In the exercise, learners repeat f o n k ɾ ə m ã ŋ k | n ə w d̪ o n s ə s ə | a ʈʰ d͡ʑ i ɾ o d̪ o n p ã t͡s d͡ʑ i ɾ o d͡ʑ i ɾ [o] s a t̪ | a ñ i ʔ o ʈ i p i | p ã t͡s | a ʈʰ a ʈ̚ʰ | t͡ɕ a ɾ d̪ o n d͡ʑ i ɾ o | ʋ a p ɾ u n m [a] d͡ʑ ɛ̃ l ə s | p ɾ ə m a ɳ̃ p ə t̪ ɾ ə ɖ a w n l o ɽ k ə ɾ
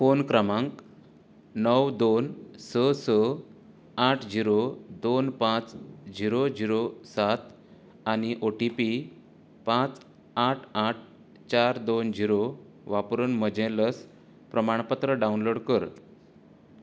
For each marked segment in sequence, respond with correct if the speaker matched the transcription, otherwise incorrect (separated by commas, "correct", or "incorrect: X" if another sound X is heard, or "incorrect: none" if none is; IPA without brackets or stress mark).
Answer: correct, incorrect: ə